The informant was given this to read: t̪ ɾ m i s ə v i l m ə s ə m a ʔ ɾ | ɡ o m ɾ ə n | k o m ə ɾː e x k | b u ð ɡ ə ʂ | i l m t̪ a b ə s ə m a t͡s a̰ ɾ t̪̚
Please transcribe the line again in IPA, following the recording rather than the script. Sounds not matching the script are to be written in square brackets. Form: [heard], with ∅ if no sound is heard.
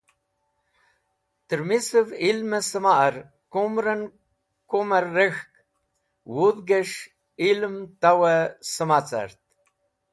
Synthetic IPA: t̪ ɾ m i s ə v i l m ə s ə m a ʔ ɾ | [k] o m ɾ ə n | k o m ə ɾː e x k | [w] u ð ɡ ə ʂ | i l m t̪ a [w] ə s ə m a t͡s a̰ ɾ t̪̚